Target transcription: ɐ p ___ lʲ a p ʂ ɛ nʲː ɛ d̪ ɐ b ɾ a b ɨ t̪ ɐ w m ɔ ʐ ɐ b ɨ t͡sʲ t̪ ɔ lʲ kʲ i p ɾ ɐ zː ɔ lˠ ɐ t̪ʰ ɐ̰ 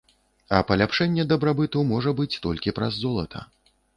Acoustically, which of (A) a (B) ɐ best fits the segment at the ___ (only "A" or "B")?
B